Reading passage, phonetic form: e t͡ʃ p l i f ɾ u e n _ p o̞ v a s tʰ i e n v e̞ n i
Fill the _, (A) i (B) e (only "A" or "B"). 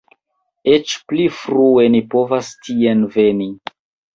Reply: A